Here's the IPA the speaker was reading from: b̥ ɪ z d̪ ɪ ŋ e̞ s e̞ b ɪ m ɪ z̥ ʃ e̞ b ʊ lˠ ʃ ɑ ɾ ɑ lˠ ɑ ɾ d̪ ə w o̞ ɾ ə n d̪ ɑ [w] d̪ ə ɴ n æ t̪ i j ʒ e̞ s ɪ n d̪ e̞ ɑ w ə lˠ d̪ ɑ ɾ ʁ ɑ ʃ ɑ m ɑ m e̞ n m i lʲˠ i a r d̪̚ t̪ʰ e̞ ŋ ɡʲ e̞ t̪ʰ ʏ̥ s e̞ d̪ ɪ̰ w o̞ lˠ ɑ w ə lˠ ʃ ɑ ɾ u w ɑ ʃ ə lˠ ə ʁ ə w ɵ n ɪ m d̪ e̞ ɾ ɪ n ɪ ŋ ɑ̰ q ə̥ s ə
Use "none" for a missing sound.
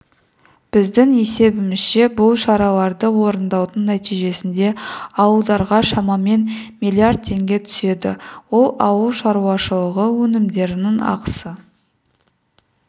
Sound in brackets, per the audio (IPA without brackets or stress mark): w